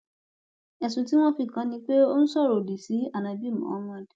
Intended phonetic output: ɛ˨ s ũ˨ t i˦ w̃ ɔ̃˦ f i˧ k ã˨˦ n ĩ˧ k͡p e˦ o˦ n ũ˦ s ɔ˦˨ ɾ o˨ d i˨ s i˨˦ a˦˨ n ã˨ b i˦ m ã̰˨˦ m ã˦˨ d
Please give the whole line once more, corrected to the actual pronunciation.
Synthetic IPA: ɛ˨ s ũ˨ t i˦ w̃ ɔ̃˦ f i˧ k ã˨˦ n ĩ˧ k͡p e˦ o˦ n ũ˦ s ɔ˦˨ ɾ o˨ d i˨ s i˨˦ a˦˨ n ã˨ b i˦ m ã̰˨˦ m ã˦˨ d